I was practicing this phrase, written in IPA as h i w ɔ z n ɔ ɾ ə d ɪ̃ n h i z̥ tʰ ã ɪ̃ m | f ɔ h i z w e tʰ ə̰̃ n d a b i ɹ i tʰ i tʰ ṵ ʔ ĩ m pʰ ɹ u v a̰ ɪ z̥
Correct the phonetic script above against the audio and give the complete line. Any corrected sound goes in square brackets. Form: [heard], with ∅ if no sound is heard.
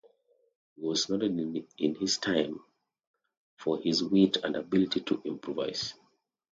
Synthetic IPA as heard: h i w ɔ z n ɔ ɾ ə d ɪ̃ n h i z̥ tʰ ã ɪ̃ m | f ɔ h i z w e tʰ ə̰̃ n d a b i [l] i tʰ i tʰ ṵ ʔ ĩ m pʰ ɹ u v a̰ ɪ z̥